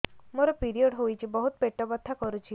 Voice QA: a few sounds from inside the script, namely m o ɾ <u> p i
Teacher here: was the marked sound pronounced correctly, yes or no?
no